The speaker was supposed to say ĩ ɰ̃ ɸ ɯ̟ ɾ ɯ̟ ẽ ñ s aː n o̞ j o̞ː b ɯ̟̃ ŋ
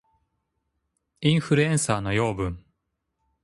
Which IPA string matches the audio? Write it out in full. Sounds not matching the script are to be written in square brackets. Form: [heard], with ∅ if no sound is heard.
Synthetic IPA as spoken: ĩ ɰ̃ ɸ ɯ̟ ɾ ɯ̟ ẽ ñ s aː n o̞ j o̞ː b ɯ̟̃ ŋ